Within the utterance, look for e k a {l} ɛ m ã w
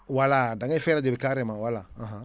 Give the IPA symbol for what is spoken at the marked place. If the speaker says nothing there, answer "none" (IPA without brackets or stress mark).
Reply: ɾ